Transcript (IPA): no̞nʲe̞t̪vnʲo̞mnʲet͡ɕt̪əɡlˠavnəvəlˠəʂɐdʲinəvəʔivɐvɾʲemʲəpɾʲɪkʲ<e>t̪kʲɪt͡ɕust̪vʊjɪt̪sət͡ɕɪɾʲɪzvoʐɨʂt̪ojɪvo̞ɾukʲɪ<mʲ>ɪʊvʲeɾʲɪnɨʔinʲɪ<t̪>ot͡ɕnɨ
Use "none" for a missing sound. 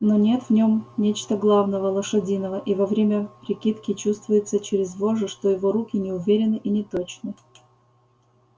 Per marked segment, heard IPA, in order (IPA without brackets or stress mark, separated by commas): i, nʲ, t̪